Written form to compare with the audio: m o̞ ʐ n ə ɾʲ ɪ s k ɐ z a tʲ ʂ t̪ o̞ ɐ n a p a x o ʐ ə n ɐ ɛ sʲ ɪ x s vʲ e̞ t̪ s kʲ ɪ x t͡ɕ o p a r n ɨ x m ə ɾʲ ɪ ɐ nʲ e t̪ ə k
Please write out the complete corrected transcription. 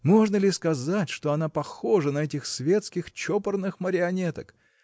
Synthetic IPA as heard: m o̞ ʐ n ə lʲ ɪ s k ɐ z a tʲ ʂ t̪ o̞ ɐ n a p ɐ x o ʐ ə n ɐ ɛ tʲ ɪ x s vʲ e̞ t̪ s kʲ ɪ x t͡ɕ o p ə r n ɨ x m ə ɾʲ ɪ ɐ nʲ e t̪ ə k